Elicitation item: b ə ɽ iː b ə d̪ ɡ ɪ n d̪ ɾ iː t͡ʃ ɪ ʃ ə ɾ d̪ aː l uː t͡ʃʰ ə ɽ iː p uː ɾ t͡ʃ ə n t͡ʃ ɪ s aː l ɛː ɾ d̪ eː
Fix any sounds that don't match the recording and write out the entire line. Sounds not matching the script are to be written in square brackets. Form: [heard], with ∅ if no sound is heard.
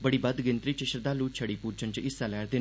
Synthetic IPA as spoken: b ə ɽ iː b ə d̪ ɡ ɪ n [t̪] ɾ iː t͡ʃ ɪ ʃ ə ɾ d̪ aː l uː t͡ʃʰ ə ɽ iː p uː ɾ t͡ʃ ə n t͡ʃ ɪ s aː l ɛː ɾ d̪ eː